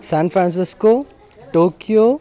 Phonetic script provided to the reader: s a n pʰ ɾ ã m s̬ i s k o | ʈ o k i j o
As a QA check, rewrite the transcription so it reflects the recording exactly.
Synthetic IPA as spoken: s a n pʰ ɾ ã n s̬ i s k o | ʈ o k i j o